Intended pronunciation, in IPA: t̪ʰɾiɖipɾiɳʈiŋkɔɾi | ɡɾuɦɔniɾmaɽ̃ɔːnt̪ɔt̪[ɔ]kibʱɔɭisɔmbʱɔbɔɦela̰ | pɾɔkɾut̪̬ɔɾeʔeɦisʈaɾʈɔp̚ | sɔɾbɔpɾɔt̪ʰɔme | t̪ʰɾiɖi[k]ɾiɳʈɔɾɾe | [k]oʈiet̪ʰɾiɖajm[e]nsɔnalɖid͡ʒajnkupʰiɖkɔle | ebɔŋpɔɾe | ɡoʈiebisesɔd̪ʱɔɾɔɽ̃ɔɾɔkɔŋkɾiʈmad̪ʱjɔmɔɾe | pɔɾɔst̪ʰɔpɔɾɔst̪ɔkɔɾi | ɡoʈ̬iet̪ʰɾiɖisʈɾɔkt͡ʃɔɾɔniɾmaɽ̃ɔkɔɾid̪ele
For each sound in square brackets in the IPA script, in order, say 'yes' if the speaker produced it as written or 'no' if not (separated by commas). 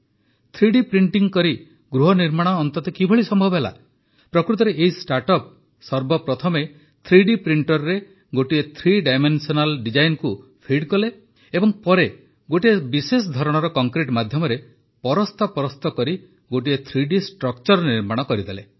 yes, no, no, yes